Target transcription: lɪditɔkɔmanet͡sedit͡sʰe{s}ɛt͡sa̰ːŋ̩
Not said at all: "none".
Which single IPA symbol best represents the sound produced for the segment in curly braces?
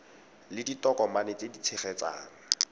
χ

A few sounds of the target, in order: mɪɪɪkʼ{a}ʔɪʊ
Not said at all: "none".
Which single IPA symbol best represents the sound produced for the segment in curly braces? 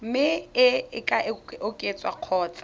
a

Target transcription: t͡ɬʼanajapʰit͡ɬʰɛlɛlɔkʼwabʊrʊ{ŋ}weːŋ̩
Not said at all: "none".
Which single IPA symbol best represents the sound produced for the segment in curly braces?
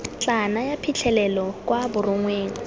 ŋ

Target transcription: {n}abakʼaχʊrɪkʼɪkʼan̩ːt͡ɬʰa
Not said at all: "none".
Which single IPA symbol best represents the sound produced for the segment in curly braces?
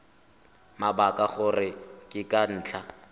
m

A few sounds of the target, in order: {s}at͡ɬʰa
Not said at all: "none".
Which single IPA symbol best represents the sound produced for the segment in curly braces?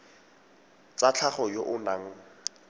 t͡s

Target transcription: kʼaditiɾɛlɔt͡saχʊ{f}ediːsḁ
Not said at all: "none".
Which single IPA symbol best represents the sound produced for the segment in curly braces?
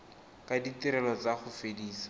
f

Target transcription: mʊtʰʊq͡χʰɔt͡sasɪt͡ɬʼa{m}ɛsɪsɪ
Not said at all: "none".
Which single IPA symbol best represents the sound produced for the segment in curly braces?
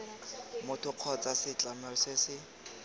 m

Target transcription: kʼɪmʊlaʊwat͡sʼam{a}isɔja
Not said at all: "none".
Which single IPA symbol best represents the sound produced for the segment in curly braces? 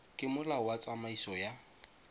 a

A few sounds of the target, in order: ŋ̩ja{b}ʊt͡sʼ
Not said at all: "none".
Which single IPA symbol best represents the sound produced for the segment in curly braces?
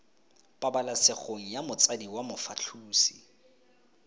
m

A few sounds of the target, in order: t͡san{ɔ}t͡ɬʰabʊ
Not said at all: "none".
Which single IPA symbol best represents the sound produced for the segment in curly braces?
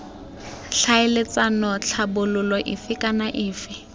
ɔ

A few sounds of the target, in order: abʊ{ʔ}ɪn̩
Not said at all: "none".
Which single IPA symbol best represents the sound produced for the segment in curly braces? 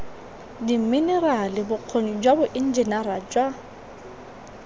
ʔ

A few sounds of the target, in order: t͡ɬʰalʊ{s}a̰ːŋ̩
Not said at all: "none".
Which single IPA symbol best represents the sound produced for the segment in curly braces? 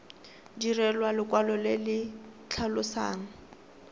s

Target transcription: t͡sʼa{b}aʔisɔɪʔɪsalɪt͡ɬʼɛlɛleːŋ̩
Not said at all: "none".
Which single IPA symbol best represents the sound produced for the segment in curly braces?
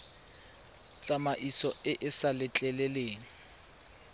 m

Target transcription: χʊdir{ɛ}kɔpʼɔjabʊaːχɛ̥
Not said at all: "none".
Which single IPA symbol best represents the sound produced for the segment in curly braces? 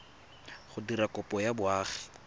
a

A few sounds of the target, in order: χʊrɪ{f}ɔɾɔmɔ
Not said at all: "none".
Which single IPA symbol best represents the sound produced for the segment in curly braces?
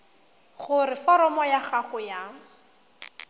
f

